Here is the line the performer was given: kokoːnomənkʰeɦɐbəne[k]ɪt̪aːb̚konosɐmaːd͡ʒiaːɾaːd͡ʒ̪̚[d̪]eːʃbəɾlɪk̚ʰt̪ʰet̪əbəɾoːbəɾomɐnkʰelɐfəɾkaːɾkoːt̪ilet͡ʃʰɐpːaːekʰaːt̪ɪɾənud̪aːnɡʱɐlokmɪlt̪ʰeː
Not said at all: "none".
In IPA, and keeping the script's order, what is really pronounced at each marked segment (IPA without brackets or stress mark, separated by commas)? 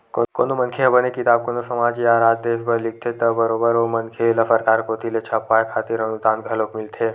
k, d̪